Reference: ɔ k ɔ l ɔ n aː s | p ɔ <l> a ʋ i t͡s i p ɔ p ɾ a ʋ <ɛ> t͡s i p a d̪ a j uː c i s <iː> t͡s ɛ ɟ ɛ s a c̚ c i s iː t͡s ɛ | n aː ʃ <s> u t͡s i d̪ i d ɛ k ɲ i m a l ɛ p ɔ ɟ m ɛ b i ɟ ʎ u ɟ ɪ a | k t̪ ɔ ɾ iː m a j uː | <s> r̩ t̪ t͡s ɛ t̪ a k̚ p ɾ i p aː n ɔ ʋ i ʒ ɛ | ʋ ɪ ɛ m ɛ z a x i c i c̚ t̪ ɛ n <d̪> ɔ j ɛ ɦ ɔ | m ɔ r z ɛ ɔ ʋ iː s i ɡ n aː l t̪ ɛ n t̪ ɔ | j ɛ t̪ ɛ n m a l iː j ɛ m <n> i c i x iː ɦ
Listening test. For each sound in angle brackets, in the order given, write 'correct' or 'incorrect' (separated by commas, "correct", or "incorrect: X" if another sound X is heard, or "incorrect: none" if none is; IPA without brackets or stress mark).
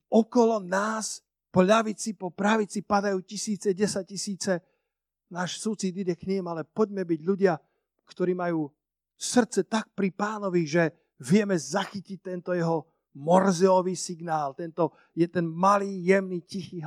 incorrect: ʎ, incorrect: i, correct, correct, correct, incorrect: t̪, correct